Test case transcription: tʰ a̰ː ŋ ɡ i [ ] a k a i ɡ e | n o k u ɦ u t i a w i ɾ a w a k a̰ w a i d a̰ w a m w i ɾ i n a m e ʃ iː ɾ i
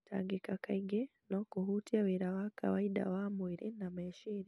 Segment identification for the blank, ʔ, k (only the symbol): k